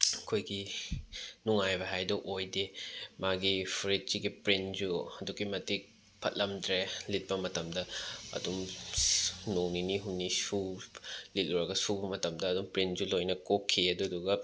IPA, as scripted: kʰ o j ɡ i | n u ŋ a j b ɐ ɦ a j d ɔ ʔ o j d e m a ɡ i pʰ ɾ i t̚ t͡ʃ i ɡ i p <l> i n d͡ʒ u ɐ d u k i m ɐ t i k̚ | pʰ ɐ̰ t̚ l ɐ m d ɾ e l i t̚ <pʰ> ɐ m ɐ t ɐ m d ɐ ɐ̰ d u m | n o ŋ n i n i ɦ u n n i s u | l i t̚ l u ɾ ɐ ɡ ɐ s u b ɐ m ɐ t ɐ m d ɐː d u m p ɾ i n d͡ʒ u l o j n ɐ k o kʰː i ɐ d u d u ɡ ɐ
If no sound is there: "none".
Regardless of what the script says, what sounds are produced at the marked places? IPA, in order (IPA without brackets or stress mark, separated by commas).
ɾ, p